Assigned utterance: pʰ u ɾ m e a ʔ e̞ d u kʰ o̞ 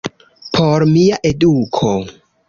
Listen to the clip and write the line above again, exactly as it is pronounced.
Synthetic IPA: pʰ o ɾ m i a ʔ e̞ d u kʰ o̞